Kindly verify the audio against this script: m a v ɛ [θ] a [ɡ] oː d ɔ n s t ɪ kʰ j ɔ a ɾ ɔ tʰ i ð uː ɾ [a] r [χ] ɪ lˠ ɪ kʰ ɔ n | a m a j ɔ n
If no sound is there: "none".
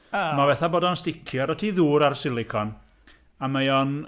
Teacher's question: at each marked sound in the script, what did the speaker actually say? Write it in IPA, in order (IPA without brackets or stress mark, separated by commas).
θ, b, a, s